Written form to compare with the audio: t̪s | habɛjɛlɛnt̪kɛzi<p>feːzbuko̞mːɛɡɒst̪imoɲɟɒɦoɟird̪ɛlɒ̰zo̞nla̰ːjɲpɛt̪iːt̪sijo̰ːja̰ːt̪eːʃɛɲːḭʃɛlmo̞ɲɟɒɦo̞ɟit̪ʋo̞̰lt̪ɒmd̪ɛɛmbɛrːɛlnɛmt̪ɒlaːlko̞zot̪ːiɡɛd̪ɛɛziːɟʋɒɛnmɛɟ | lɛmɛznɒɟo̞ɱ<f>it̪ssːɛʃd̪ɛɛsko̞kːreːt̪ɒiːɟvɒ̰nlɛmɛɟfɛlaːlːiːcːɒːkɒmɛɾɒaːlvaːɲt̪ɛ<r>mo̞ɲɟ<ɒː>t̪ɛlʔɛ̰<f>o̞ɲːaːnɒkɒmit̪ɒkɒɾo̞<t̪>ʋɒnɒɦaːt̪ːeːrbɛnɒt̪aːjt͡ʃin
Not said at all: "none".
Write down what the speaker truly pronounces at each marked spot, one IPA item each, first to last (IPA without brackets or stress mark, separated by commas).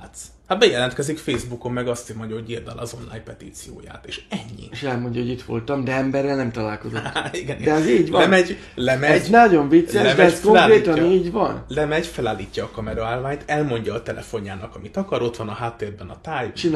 k, v, l, ɒː, f, t̪